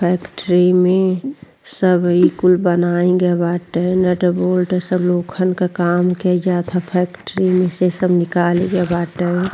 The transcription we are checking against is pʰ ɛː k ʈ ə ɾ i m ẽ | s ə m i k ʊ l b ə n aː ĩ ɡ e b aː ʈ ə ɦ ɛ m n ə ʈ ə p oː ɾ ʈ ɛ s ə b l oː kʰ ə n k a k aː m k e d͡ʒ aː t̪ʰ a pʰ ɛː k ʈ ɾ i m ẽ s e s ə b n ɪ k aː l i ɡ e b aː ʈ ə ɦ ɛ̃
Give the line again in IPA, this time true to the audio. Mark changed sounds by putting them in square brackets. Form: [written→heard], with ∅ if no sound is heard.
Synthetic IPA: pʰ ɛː k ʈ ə ɾ i m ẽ | s ə [m→b] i k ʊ l b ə n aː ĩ ɡ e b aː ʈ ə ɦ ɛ [m→∅] n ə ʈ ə [p→b] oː [ɾ→l] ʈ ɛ s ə b l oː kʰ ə n k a k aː m k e d͡ʒ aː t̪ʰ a pʰ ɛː k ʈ ɾ i m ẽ s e s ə b n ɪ k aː l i ɡ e b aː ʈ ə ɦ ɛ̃